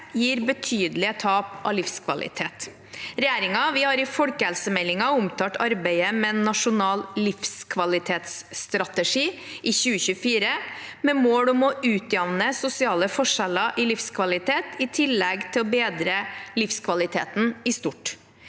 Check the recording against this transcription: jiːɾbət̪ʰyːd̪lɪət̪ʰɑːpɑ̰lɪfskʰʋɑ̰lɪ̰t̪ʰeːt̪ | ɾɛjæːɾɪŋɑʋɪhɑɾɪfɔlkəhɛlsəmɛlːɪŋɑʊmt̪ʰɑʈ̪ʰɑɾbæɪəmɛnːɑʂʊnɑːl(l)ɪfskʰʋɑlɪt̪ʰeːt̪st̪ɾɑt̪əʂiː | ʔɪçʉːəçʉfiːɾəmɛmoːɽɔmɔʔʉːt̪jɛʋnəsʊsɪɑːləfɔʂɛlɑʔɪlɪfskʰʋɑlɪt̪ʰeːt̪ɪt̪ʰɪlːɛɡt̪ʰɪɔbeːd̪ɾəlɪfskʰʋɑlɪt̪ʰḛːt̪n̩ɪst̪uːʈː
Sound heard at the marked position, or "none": l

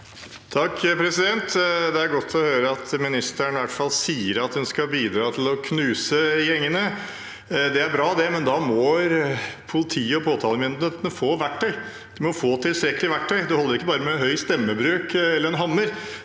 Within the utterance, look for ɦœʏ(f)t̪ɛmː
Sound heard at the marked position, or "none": s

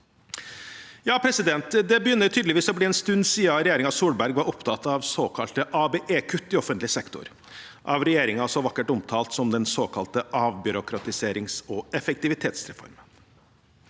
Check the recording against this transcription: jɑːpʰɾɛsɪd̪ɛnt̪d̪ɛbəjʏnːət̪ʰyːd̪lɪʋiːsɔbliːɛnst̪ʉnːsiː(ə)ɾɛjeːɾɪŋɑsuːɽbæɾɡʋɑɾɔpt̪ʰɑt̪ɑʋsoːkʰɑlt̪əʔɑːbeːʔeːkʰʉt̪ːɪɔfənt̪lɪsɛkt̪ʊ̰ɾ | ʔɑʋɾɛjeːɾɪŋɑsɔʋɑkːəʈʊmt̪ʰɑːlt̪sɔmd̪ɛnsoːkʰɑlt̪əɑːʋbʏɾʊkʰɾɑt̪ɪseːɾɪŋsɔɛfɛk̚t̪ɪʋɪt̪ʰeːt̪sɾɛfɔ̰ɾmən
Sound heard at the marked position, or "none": ɑ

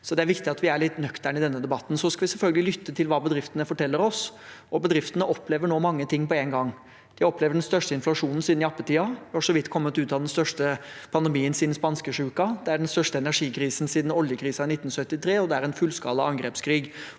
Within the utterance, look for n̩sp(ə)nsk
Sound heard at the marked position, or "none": ɑ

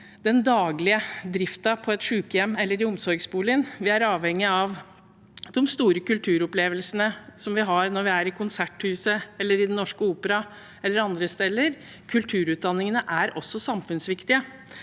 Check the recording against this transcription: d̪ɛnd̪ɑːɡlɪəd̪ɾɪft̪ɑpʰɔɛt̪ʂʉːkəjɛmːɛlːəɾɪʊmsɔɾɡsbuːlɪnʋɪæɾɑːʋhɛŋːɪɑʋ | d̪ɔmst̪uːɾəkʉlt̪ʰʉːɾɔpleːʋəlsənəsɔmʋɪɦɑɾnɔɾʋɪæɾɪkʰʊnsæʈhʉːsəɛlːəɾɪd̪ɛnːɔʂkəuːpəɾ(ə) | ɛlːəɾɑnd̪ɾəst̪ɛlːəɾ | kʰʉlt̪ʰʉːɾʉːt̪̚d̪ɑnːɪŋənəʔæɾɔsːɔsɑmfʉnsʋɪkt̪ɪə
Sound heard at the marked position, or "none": ɑ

